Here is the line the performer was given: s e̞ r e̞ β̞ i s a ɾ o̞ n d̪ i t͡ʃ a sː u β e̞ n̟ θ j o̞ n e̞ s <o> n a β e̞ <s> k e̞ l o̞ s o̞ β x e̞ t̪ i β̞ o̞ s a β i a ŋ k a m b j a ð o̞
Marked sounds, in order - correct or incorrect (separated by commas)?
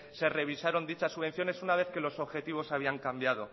incorrect, incorrect